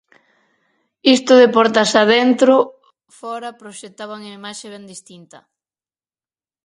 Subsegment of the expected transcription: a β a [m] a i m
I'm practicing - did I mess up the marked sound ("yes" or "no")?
yes